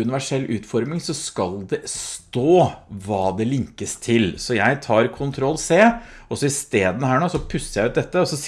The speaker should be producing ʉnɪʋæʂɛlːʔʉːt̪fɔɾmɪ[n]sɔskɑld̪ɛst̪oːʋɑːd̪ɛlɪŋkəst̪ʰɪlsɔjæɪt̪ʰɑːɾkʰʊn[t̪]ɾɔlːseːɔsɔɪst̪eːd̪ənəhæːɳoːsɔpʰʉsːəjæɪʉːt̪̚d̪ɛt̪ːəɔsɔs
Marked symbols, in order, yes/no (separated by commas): no, no